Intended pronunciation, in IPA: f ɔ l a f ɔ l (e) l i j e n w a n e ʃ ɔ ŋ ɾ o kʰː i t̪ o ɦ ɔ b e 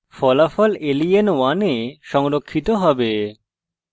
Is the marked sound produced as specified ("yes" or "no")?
yes